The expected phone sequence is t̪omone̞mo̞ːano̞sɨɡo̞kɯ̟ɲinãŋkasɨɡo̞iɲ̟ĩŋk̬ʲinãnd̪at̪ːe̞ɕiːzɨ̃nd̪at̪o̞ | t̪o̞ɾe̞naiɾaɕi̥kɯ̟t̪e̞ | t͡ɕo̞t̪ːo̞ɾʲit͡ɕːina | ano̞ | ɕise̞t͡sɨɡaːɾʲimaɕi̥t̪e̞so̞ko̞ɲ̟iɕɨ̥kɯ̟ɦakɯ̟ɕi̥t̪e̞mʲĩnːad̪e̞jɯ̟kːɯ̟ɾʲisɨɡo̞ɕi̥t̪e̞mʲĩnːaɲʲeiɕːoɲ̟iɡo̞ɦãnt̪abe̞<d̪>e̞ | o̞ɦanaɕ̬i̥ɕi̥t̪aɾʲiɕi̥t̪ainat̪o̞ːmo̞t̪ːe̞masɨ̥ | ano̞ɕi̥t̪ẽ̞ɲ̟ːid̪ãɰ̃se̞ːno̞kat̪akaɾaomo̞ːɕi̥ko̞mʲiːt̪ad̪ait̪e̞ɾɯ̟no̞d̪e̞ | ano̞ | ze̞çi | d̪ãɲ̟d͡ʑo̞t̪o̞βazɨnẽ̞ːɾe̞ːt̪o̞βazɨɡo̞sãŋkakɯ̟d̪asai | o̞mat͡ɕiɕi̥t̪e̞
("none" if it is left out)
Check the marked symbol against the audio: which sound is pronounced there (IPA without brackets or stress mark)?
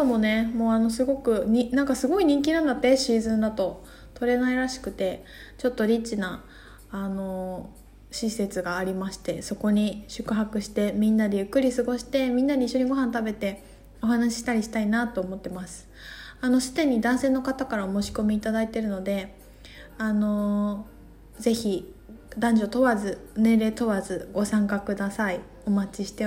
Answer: t̪